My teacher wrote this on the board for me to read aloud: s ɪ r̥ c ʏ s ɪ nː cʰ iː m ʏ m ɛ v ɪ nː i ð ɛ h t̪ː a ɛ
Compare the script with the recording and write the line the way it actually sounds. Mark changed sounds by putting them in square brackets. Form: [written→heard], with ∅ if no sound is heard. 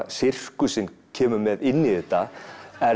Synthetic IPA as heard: s ɪ r̥ [c→k] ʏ s ɪ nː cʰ [iː→ɛː] m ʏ m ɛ [v→ð] ɪ nː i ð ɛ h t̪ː a ɛ

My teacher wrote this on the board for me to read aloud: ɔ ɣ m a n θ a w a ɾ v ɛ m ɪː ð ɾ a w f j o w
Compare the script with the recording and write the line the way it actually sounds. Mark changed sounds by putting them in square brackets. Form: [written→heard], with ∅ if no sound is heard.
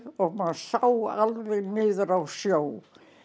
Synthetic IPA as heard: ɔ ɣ m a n [θ→s] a w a [ɾ→l] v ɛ [m→n] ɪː ð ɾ a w [f→s] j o w

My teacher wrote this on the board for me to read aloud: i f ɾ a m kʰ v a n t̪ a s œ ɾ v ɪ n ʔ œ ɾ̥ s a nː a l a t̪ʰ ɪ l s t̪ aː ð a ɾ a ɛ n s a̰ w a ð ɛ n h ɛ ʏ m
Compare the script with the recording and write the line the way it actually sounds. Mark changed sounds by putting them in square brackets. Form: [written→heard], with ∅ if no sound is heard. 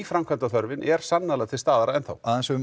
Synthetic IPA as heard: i f ɾ a m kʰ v a n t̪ a [s→θ] œ ɾ v ɪ n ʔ [œ→ɛ] ɾ̥ s a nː a l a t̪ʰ ɪ l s t̪ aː ð a ɾ a ɛ n [s→θ] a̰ w a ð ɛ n [h→s] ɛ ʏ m

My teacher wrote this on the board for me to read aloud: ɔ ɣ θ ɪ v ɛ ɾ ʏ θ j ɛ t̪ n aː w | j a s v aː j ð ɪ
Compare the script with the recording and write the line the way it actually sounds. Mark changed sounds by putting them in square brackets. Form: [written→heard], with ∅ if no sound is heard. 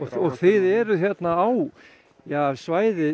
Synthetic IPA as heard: ɔ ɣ θ ɪ [v→ð] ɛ ɾ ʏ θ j ɛ t̪ n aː w | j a s v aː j ð ɪ

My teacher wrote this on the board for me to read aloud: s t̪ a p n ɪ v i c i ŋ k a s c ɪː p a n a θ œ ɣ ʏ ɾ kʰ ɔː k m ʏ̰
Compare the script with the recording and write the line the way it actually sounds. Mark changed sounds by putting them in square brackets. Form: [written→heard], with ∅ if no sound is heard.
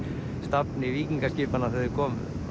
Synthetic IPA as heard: s t̪ a p n ɪ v [i→iː] c i ŋ k a s c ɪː p a n a θ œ [ɣ→ð] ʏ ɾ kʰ ɔː [k→∅] m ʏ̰

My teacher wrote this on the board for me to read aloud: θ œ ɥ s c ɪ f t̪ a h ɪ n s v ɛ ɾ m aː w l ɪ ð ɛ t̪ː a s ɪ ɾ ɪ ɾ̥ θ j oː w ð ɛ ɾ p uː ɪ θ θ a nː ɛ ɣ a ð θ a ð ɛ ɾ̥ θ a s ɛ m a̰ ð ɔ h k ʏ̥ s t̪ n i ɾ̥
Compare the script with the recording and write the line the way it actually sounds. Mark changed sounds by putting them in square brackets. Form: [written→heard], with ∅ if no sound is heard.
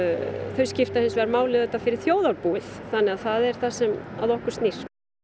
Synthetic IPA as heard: θ œ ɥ s c ɪ f t̪ a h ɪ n s v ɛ ɾ m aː w l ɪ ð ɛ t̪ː a [s→f] ɪ ɾ ɪ ɾ̥ θ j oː w ð [ɛ→a] ɾ p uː ɪ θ θ a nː ɛ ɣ a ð θ a ð ɛ ɾ̥ θ a s ɛ m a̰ ð ɔ h k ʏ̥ s t̪ n i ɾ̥

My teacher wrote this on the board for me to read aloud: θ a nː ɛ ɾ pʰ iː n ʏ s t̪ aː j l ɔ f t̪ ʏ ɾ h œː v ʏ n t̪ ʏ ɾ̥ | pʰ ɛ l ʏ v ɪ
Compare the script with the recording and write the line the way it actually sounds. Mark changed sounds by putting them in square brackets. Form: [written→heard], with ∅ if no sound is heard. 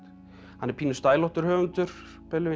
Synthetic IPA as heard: [θ→h] a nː ɛ ɾ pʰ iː n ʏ s t̪ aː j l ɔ [f→h] t̪ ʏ ɾ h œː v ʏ n t̪ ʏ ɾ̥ | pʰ ɛ l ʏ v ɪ

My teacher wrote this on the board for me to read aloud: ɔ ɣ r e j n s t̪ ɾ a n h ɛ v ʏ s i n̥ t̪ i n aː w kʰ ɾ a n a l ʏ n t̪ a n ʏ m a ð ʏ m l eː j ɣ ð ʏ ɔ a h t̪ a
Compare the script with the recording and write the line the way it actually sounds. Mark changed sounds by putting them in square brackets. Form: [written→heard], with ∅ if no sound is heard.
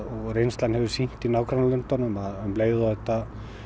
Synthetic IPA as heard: ɔ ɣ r e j n s t̪ [ɾ→l] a n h ɛ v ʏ s i n̥ t̪ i n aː w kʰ ɾ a n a l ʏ n t̪ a n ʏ m a ð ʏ m l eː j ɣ ð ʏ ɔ [a→ɛ] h t̪ a

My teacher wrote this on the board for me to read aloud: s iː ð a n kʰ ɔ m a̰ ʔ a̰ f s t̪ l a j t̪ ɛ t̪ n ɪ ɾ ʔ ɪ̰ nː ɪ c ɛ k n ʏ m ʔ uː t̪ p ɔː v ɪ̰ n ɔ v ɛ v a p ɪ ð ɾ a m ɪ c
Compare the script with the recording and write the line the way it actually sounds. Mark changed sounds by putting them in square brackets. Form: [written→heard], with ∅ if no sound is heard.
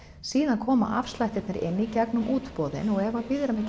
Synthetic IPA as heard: s iː ð a n kʰ [ɔ→ɔː] m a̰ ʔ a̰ f s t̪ l a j t̪ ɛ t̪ n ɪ ɾ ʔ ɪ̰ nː [ɪ→i] c ɛ k n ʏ m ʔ uː t̪ p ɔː [v→ð] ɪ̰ n ɔ [v→ɣ] ɛ v a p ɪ ð ɾ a m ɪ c

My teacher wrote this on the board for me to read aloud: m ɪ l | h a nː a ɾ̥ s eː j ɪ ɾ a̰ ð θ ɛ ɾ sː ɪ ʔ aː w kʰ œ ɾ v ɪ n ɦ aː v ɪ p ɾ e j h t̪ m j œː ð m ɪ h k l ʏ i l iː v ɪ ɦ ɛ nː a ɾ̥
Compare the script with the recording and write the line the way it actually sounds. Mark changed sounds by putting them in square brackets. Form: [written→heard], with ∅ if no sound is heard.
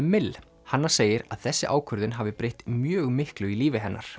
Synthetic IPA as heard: m ɪ l | h a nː a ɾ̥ s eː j ɪ ɾ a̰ ð θ ɛ [ɾ→∅] sː ɪ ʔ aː w kʰ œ ɾ [v→ð] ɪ n ɦ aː v ɪ p ɾ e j h t̪ m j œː [ð→ɣ] m ɪ h k l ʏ i l iː v ɪ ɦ ɛ nː a ɾ̥

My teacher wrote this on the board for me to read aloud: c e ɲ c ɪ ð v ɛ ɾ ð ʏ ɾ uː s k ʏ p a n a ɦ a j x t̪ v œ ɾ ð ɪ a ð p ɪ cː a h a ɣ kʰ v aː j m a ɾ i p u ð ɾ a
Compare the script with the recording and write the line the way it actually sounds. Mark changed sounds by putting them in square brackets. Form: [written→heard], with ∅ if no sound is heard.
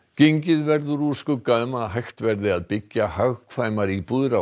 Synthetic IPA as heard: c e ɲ c ɪ ð v ɛ ɾ ð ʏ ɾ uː s k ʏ [p→k] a [n→m] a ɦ a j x t̪ v [œ→ɛ] ɾ ð ɪ a ð p ɪ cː a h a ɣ kʰ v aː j m a ɾ i p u ð ɾ a

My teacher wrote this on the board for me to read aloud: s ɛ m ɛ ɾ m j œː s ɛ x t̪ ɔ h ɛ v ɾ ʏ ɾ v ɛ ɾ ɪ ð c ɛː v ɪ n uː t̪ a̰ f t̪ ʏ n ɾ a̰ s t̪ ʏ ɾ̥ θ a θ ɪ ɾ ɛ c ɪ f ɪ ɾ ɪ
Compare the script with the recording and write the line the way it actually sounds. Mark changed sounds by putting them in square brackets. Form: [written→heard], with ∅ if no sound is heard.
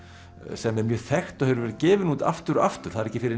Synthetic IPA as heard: s ɛ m ɛ ɾ m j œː [s→θ] ɛ x t̪ ɔ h ɛ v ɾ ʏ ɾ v ɛ ɾ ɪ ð c ɛː v ɪ n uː t̪ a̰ f t̪ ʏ [n→∅] ɾ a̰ [s→f] t̪ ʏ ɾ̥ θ a [θ→ð] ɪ ɾ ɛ c ɪ f ɪ ɾ ɪ

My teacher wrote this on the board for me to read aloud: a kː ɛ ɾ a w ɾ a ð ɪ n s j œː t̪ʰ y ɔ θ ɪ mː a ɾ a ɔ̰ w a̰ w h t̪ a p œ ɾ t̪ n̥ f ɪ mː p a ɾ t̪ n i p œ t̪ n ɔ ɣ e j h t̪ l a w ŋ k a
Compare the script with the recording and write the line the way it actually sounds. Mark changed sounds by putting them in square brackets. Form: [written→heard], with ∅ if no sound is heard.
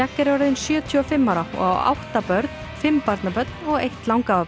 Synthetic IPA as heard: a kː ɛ ɾ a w ɾ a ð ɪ n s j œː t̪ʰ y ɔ [θ→f] ɪ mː a ɾ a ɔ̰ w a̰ w h t̪ a p œ ɾ t̪ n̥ f ɪ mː p a ɾ t̪ n [i→a] p œ t̪ n ɔ ɣ e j h t̪ l a w ŋ k a

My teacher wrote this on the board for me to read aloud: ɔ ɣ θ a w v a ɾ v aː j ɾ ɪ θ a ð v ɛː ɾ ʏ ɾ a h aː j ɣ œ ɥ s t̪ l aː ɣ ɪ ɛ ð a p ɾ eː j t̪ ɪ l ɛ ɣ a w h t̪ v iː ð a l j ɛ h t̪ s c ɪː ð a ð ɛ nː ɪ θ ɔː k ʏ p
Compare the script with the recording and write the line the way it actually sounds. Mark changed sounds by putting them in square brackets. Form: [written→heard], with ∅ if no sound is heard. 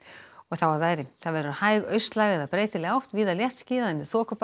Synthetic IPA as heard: ɔ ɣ θ a w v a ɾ v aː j ɾ ɪ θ a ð v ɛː ɾ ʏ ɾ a h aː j ɣ œ ɥ s t̪ l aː ɣ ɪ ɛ ð a p ɾ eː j t̪ ɪ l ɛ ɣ a w h t̪ v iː ð a l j ɛ h t̪ s c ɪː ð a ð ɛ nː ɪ θ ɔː k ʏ p

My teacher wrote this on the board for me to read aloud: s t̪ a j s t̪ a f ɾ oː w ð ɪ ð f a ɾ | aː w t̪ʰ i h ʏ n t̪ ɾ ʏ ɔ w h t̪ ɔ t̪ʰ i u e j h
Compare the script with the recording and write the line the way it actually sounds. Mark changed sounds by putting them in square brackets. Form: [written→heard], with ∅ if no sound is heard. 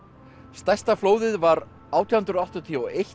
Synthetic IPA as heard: s t̪ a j s t̪ a f [ɾ→l] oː w ð ɪ ð [f→v] a ɾ | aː w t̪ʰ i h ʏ n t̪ ɾ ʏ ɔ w h t̪ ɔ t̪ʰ i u e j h

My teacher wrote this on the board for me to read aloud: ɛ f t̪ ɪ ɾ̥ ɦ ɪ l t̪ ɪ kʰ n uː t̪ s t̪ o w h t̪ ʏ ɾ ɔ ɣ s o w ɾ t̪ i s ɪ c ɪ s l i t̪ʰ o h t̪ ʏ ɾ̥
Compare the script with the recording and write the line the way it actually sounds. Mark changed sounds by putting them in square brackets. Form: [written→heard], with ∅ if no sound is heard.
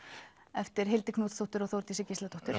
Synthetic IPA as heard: ɛ f t̪ ɪ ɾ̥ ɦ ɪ l t̪ ɪ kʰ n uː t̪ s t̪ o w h t̪ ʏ ɾ ɔ ɣ [s→θ] o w ɾ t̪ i s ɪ c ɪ s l [i→a] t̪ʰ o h t̪ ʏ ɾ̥

